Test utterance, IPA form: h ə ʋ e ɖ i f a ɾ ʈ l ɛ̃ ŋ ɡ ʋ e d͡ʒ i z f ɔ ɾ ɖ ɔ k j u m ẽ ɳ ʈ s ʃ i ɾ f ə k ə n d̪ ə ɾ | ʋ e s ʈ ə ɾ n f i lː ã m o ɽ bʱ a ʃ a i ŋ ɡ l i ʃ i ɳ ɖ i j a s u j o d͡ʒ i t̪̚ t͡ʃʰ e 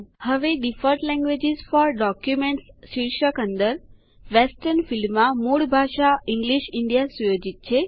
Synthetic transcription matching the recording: h ə ʋ e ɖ i f ə ɾ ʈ l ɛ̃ ŋ ɡ ʋ e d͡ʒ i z f ɔ ɾ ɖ ɔ k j u m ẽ ɳ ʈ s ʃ i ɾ ʃ ə k ə n d̪ ə ɾ | ʋ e s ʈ ə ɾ n f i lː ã m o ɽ bʱ a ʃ a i ŋ ɡ l i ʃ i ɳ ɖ i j a s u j o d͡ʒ i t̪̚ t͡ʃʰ e